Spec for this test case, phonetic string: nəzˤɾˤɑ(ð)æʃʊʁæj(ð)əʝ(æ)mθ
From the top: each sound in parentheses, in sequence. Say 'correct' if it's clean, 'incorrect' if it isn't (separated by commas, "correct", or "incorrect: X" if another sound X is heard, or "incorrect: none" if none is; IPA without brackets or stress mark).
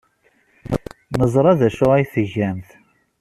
correct, incorrect: θ, correct